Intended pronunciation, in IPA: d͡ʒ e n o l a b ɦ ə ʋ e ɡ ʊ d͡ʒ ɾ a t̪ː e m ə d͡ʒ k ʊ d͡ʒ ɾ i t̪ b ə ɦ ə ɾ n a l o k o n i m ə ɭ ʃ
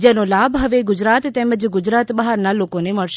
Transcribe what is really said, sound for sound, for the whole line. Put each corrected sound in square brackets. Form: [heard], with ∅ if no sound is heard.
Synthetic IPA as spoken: d͡ʒ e n o l a b ɦ ə ʋ e ɡ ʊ d͡ʒ ɾ a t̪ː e m ə d͡ʒ [ɡ] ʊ d͡ʒ ɾ [a] t̪ b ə ɦ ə ɾ n a l o k o n [e] m ə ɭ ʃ